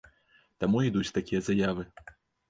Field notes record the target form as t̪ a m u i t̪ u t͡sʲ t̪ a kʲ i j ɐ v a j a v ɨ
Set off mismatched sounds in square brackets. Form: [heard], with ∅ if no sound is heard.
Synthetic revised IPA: t̪ a m u i [d̪] u t͡sʲ t̪ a kʲ i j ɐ [z] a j a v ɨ